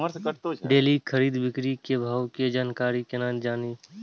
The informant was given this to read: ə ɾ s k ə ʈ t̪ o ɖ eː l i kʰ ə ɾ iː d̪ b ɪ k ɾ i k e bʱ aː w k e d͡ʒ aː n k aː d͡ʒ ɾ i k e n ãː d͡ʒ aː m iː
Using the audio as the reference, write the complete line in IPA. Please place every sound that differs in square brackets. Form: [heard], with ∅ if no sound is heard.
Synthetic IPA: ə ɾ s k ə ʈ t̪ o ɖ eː l i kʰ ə ɾ iː d̪ b ɪ k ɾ i k e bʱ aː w k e d͡ʒ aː n k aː [∅] ɾ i k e n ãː d͡ʒ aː [n] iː